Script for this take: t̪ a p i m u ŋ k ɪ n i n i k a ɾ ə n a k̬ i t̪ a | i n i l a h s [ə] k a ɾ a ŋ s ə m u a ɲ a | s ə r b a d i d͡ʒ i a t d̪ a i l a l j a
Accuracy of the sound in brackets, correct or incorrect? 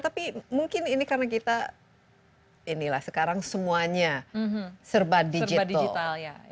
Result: correct